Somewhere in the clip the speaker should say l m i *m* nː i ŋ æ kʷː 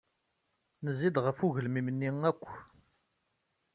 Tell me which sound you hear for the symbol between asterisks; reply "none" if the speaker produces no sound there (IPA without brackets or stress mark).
m